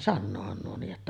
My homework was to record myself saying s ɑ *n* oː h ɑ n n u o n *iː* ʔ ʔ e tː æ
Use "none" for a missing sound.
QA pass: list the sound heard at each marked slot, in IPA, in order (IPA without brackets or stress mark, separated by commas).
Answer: nː, iː